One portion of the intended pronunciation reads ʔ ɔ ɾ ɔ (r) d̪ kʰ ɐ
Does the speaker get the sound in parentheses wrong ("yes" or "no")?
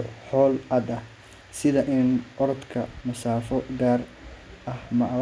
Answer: yes